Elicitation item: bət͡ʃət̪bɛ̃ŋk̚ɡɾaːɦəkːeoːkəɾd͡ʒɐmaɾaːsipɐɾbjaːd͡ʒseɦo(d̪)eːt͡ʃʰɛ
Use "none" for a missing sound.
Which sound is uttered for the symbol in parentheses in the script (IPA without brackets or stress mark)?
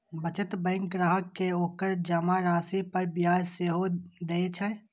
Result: d̪